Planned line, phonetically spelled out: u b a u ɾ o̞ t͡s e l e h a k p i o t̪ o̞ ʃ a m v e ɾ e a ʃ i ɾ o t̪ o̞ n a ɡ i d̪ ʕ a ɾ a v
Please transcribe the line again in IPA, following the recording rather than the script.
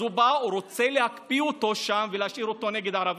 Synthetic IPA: u b a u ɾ o̞ t͡s e l e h a k p i o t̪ o̞ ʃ a m v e l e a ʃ i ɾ o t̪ o̞ n e ɡ e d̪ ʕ a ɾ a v